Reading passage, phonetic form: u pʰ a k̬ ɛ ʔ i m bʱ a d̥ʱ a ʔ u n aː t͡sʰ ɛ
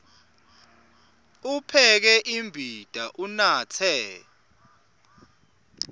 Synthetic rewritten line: u pʰ ɛ k̬ ɛ ʔ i m bʱ i d̥ʱ a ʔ u n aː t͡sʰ ɛ